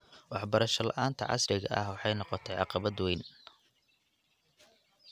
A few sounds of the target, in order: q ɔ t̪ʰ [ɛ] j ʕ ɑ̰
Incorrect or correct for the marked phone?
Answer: correct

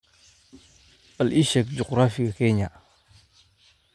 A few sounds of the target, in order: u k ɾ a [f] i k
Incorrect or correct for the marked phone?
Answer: correct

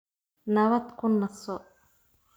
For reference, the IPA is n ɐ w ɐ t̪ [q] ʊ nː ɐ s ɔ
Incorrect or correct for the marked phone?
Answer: incorrect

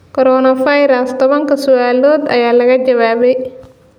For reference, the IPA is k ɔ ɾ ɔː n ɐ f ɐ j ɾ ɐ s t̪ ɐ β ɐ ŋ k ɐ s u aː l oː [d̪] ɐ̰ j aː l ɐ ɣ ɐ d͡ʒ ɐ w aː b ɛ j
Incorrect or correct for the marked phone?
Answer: correct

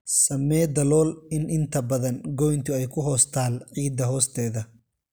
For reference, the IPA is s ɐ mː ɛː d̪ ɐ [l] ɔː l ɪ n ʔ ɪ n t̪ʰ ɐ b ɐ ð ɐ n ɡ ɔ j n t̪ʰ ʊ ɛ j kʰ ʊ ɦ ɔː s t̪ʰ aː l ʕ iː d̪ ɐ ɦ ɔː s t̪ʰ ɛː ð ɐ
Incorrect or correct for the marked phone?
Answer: correct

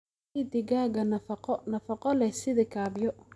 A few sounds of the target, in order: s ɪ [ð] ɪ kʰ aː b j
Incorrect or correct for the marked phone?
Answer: correct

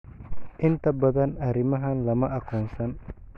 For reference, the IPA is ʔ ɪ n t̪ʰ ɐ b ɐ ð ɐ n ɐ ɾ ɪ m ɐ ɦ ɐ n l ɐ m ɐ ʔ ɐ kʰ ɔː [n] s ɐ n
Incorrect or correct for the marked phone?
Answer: correct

